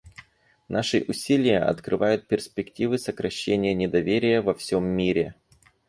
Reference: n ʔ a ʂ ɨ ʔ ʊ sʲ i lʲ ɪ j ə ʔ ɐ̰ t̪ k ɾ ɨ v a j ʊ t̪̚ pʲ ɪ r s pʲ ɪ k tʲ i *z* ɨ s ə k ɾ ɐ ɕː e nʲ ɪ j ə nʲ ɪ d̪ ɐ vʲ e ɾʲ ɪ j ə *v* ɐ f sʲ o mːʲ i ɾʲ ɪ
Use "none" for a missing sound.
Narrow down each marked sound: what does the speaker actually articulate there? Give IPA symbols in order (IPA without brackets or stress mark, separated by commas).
v, v